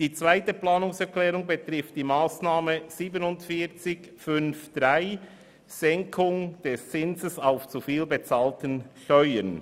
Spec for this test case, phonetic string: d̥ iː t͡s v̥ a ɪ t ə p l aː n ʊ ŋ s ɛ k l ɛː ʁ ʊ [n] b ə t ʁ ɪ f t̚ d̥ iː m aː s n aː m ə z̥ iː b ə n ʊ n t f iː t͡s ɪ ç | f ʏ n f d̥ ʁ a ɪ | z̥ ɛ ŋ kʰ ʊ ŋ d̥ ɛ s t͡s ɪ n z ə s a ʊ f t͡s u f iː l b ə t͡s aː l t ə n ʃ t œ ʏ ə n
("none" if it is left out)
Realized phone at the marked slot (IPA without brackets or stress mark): ŋ